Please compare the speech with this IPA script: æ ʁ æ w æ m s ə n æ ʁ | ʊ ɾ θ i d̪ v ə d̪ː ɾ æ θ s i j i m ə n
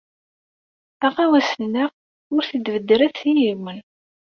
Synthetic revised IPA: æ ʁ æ w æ s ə n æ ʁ | ʊ ɾ θ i d̪ v ə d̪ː ɾ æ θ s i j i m ə n